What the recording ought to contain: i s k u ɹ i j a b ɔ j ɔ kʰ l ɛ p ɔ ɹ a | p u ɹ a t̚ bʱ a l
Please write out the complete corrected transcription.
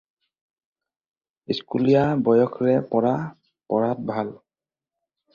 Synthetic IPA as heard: i s k u l i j a b ɔ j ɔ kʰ ɹ ɛ p ɔ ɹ a | p ɔ ɹ a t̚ bʱ a l